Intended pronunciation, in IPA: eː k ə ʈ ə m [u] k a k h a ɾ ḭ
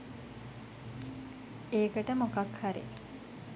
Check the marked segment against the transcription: incorrect: o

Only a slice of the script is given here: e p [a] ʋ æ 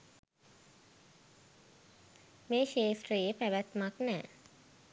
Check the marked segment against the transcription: incorrect: æ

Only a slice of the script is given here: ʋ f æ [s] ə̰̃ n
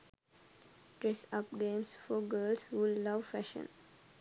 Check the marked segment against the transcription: incorrect: ʃ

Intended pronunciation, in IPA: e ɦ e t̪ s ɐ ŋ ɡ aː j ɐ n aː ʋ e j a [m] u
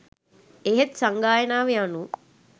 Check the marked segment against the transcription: incorrect: n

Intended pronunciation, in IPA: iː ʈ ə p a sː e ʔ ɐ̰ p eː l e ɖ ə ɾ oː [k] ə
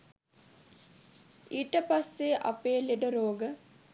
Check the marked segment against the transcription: incorrect: ɡ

